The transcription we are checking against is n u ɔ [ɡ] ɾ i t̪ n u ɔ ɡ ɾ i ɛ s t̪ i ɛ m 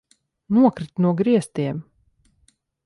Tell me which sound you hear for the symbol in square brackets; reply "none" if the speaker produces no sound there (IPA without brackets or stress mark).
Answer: k